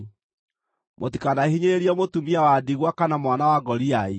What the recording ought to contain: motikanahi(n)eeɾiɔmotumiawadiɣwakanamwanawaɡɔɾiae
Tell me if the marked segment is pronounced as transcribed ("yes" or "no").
no